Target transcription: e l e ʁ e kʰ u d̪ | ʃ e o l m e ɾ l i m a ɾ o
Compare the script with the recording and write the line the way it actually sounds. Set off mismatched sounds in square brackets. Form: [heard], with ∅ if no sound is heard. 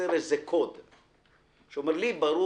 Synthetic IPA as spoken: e [ɾ] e [z] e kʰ [o] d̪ | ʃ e o [∅] m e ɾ l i [b] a ɾ [u]